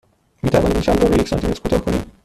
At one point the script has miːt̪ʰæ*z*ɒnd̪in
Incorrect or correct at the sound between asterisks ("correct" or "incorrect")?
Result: incorrect